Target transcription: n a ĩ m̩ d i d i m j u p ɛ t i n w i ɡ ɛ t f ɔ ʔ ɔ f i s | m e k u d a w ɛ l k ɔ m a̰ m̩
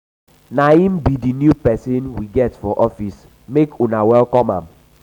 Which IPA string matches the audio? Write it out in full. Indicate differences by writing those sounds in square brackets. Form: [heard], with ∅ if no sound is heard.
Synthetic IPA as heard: n a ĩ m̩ [b] i d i [n] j u p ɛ [s] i n w i ɡ ɛ t f ɔ ʔ ɔ f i s | m e k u [n] a w ɛ l k ɔ m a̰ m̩